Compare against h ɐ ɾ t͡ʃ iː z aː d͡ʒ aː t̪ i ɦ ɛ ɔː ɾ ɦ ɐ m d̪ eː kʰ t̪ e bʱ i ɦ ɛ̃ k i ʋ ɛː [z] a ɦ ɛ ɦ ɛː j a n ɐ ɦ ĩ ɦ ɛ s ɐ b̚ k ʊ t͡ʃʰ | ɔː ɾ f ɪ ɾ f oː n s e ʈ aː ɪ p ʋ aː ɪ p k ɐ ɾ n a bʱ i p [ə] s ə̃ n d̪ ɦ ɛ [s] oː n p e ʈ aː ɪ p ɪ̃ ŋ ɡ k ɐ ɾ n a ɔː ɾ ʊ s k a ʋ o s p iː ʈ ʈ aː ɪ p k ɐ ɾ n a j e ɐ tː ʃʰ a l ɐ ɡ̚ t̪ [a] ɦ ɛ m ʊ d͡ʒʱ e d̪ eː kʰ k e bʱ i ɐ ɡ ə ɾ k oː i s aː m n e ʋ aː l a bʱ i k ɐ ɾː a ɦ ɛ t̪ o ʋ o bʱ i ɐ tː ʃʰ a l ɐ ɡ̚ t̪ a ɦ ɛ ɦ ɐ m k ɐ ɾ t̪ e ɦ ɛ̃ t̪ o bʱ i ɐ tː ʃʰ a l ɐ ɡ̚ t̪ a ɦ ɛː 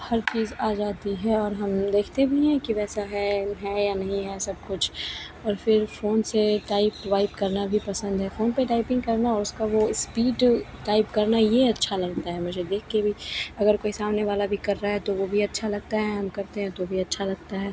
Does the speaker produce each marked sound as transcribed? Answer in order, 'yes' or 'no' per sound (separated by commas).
no, no, no, yes